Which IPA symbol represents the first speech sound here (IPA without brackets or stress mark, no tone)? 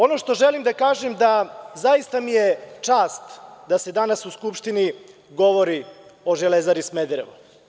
o̞